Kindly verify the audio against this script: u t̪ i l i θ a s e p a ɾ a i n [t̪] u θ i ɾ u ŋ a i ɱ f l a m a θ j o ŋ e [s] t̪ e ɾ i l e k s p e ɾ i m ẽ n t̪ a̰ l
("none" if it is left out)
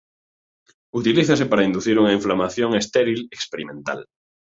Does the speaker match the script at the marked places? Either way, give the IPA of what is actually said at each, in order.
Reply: d̪, s

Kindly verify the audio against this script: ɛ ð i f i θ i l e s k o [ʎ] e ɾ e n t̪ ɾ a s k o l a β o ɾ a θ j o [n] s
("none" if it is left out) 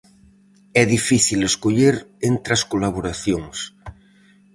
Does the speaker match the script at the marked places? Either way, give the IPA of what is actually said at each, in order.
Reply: ʎ, ŋ

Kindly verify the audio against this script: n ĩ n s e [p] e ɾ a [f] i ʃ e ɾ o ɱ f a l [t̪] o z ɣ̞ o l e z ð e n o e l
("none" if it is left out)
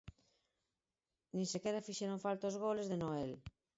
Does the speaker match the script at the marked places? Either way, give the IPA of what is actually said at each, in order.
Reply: k, f, t̪

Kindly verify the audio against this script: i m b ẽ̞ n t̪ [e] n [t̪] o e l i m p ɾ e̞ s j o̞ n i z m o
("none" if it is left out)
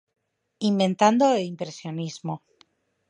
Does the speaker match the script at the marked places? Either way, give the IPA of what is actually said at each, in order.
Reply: a, d̪

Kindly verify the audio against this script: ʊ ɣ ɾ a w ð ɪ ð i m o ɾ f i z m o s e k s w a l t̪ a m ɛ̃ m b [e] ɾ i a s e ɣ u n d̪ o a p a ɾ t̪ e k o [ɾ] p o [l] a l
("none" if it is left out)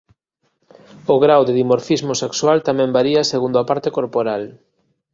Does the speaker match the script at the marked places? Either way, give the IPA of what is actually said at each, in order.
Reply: a, ɾ, ɾ

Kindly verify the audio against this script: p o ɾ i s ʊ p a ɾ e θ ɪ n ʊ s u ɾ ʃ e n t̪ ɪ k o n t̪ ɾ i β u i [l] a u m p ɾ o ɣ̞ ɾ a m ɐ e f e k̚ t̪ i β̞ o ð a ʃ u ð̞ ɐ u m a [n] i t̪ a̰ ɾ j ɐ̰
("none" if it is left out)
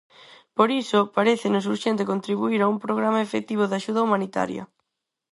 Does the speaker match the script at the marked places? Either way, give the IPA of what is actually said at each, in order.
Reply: ɾ, n

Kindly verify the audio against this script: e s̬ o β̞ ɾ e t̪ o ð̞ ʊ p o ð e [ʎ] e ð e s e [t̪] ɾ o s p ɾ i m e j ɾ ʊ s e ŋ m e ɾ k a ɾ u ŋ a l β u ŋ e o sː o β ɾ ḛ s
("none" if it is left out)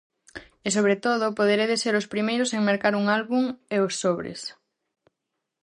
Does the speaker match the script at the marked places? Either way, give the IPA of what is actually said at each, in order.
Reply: ɾ, none

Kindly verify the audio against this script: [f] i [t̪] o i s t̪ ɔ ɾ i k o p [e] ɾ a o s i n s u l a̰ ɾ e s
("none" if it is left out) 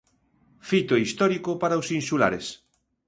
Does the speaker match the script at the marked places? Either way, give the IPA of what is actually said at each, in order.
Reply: f, t̪, a

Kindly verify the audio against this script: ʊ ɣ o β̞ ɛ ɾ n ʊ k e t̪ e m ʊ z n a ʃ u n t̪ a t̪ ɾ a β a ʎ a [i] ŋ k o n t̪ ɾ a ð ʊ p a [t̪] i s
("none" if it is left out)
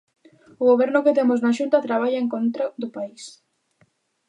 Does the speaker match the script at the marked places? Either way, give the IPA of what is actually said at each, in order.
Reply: e, none

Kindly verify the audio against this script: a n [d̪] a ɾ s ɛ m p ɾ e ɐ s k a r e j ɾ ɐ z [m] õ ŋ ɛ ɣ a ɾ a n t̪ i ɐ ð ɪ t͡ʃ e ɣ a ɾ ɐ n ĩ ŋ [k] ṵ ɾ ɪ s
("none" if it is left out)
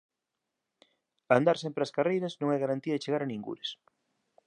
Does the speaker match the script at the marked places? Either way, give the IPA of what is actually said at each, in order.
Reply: d̪, n, ɡ

